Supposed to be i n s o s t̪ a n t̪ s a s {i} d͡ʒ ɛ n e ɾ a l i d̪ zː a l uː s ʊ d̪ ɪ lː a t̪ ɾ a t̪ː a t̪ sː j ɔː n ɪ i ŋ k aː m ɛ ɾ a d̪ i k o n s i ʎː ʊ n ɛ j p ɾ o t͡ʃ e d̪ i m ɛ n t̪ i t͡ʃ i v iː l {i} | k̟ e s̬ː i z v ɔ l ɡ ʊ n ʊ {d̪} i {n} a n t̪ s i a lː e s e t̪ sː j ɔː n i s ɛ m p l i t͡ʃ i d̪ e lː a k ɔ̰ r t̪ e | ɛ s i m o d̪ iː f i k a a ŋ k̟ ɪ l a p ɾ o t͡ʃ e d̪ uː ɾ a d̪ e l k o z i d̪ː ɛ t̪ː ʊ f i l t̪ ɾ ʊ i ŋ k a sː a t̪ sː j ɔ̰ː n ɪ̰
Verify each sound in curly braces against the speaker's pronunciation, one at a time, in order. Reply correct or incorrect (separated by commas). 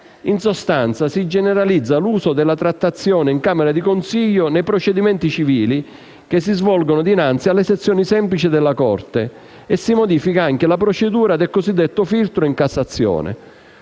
correct, correct, correct, correct